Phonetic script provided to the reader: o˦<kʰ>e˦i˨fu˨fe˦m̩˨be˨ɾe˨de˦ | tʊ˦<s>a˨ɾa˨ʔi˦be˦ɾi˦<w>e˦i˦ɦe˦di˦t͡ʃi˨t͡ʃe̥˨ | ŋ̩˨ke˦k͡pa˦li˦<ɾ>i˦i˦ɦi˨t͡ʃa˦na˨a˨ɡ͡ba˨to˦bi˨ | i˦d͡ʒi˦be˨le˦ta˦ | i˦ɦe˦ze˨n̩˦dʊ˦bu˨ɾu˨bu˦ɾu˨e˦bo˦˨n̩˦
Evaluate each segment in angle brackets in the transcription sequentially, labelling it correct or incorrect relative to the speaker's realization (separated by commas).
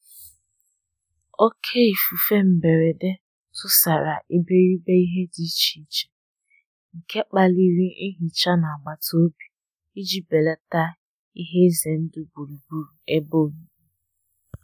correct, correct, incorrect, correct